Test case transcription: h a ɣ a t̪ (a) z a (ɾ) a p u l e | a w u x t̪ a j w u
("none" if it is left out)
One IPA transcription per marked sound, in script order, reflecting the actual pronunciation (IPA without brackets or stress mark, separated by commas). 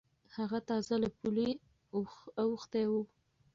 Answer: ɑ, l